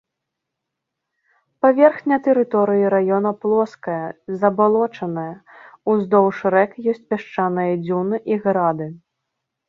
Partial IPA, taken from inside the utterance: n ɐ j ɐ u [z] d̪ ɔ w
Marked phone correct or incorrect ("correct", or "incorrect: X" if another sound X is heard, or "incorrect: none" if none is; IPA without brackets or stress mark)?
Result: correct